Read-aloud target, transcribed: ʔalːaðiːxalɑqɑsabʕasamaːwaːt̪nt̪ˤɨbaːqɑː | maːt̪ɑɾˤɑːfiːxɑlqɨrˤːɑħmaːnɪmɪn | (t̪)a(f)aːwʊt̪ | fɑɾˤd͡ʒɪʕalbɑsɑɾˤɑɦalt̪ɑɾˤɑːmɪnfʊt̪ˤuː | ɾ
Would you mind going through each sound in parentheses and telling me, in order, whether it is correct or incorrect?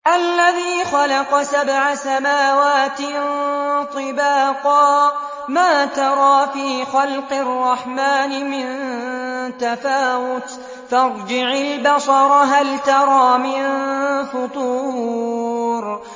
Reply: correct, correct

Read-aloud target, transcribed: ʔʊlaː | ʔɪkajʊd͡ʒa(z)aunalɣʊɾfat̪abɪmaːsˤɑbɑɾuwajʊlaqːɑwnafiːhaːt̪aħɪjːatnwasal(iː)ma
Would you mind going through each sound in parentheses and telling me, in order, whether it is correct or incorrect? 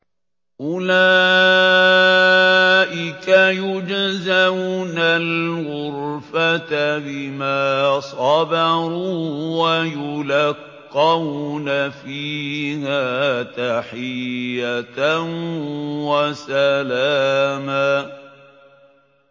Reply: correct, incorrect: aː

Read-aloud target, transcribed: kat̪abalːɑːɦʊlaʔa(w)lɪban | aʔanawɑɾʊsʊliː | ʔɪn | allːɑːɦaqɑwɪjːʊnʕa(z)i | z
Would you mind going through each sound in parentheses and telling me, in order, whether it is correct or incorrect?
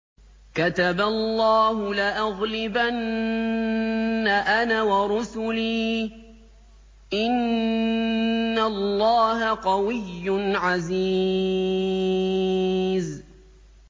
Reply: incorrect: ɣ, correct

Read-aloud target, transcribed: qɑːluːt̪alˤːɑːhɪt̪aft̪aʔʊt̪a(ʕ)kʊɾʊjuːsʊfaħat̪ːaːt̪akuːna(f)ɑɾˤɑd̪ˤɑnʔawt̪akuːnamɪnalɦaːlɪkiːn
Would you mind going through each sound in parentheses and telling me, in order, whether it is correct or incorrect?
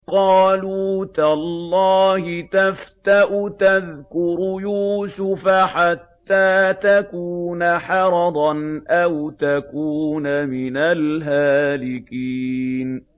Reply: incorrect: ð, incorrect: ħ

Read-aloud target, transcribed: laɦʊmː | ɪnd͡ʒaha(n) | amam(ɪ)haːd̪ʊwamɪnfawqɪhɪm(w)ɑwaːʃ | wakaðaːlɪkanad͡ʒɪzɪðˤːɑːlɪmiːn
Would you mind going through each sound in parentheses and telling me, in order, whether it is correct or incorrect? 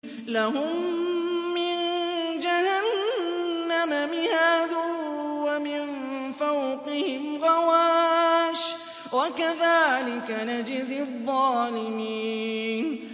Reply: incorrect: nː, correct, incorrect: ɣ

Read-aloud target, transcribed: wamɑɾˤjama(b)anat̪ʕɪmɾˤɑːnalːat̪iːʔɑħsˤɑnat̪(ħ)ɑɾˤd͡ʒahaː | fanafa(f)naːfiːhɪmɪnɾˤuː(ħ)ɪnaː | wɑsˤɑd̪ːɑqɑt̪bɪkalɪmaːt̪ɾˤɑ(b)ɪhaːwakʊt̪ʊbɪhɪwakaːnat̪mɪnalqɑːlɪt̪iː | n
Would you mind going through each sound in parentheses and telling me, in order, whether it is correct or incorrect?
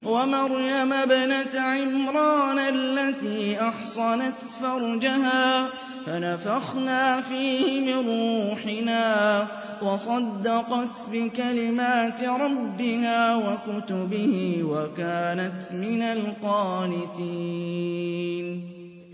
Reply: correct, incorrect: f, incorrect: x, correct, incorrect: bː

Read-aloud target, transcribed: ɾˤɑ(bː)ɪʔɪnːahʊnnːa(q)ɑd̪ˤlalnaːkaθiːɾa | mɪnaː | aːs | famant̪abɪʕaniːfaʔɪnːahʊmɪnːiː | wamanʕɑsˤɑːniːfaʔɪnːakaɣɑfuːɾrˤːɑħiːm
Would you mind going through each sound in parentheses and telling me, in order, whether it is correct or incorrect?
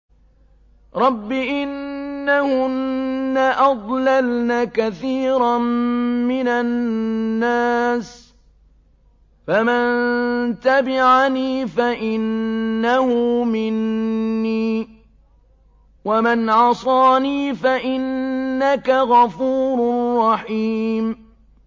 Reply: correct, incorrect: ʔ

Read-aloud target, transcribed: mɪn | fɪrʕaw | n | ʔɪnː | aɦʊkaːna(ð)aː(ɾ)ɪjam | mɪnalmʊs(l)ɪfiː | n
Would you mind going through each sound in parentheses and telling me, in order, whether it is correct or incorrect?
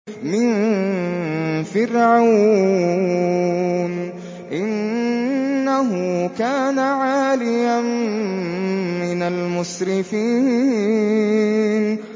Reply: incorrect: ʕ, incorrect: l, incorrect: ɾ

